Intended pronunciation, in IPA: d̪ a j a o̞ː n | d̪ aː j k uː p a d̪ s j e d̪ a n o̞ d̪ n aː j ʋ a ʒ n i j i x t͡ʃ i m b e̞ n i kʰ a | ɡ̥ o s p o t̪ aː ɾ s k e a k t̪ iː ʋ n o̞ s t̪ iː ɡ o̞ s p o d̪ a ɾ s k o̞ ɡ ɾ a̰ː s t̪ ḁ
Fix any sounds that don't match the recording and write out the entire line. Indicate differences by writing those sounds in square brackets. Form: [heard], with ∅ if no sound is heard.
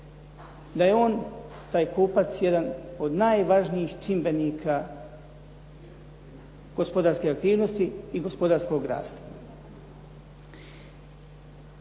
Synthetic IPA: d̪ a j [e] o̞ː n | [t̪] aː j k uː p a [t̪] s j e d̪ a n o̞ d̪ n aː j ʋ a ʒ n i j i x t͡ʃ i m b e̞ n i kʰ a | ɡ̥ o s p o [d̪] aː ɾ s k e a k t̪ iː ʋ n o̞ s t̪ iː ɡ o̞ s p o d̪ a ɾ s k o̞ ɡ ɾ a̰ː s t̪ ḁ